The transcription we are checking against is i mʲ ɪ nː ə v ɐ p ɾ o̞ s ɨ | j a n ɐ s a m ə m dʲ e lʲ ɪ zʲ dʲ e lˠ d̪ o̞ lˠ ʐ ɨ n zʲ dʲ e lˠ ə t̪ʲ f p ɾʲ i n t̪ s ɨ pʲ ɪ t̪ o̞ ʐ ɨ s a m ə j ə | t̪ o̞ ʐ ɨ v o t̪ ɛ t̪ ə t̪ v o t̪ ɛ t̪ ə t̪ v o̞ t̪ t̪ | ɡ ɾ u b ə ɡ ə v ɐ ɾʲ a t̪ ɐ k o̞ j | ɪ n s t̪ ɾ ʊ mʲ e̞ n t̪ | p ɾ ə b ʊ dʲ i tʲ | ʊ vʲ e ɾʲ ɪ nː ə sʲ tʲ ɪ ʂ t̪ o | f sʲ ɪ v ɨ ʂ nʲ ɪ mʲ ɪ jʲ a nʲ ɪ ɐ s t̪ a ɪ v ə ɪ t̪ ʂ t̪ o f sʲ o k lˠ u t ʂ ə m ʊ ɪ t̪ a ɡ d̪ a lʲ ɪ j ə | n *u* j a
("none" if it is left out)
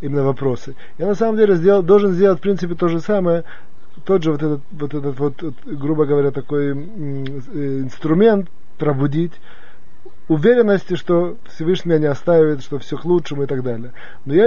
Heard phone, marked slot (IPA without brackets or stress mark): o